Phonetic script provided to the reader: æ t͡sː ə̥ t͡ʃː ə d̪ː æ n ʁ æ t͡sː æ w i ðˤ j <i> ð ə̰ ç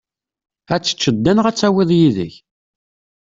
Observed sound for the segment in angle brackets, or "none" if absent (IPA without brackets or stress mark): i